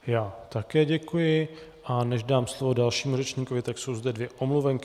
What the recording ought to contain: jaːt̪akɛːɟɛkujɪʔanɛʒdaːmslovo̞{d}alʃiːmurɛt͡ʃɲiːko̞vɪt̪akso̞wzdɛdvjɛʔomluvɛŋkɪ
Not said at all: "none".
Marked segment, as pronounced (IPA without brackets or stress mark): d